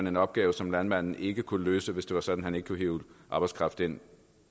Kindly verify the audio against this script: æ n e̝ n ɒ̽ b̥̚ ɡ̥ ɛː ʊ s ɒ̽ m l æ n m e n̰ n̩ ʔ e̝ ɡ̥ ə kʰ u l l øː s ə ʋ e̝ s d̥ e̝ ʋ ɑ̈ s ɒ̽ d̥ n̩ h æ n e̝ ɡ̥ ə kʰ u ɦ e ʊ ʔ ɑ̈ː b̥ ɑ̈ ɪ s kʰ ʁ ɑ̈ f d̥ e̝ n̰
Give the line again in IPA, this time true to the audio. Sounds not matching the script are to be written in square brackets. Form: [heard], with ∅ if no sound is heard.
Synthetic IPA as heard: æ n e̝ n ɒ̽ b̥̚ ɡ̥ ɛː ʊ s ɒ̽ m l æ n m [æ] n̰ n̩ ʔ e̝ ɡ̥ ə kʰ u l l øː s ə ʋ e̝ s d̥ e̝ ʋ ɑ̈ s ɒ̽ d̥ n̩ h æ n e̝ ɡ̥ ə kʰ u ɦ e ʊ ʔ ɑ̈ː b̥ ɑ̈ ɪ s kʰ ʁ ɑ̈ f d̥ e̝ n̰

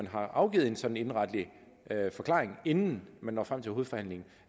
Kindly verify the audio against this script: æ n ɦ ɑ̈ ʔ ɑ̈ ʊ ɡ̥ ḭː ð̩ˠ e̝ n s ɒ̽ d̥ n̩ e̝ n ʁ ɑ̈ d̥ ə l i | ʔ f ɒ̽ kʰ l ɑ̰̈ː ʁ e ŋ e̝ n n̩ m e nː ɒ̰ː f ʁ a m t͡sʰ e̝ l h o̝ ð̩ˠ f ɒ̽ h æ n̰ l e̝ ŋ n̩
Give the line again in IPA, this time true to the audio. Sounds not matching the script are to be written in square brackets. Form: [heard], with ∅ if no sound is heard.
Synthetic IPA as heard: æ n ɦ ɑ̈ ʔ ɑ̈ ʊ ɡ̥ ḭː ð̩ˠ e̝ n s ɒ̽ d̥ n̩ e̝ n ʁ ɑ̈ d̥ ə l i | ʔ f ɒ̽ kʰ l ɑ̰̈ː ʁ e ŋ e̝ n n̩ m [æ] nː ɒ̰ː f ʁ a m t͡sʰ e̝ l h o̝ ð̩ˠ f ɒ̽ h æ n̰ l e̝ ŋ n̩

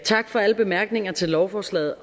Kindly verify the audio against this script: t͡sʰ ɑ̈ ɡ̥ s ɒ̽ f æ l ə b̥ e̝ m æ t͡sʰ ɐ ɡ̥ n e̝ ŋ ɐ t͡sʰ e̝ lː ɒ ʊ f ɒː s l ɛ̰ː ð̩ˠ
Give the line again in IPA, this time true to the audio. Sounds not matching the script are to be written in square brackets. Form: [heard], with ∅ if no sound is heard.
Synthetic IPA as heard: t͡sʰ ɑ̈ ɡ̥ [f] ɒ̽ [∅] æ l ə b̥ e̝ m æ [∅] ɐ ɡ̥ n e̝ ŋ ɐ t͡sʰ e̝ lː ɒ ʊ f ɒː s l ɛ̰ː ð̩ˠ

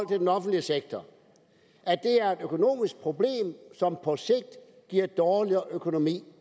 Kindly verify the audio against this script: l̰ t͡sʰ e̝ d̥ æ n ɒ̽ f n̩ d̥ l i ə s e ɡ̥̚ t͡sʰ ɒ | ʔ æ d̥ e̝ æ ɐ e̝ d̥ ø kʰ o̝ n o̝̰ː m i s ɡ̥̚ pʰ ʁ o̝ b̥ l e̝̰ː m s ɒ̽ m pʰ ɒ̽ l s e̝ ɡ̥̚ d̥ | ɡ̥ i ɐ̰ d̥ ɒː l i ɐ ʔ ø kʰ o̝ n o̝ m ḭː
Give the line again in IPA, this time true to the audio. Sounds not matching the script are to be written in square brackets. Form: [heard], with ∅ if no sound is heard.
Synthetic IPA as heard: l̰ t͡sʰ e̝ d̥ [e] n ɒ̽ f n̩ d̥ l i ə s e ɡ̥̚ t͡sʰ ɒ | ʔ æ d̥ e̝ æ ɐ e̝ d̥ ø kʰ o̝ n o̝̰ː m i s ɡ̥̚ pʰ ʁ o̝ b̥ l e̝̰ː m s ɒ̽ m pʰ ɒ̽ [∅] s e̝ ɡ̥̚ d̥ | ɡ̥ i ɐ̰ d̥ ɒː l i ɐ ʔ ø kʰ o̝ n o̝ m ḭː

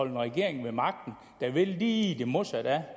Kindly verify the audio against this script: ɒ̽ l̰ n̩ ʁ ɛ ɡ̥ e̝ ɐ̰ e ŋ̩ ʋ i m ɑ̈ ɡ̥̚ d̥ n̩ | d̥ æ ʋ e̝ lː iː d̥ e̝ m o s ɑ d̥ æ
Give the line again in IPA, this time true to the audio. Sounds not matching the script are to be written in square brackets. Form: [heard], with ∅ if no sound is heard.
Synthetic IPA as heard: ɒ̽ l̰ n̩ ʁ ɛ ɡ̥ e̝ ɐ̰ e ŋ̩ ʋ [e] m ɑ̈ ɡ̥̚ d̥ n̩ | d̥ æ ʋ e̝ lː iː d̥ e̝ m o s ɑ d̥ æ

